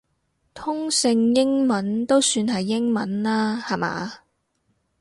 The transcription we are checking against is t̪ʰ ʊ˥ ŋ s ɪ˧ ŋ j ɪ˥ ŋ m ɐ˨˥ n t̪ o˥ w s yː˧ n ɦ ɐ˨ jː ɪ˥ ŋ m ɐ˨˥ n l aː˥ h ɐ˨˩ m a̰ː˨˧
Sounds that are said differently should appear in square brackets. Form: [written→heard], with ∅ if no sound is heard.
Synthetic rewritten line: t̪ʰ ʊ˥ ŋ s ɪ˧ ŋ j ɪ˥ ŋ m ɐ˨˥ n t̪ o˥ w s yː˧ n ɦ ɐ˨ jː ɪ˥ ŋ m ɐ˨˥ n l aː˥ h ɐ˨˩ m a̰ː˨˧